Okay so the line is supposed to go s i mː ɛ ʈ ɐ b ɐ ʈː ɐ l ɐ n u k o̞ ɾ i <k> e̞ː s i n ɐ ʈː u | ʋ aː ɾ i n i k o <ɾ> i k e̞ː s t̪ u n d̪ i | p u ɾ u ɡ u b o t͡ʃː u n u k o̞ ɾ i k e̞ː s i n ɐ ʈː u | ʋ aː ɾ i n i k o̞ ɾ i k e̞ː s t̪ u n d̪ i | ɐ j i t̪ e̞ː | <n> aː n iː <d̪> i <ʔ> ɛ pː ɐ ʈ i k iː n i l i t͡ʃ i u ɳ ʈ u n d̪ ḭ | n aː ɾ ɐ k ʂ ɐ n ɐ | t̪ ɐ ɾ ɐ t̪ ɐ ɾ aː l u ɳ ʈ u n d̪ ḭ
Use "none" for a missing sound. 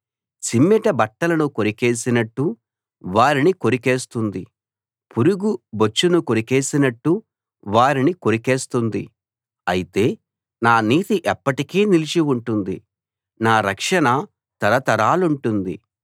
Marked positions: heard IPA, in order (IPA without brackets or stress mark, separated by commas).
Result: k, ɾ, n, t̪, ʔ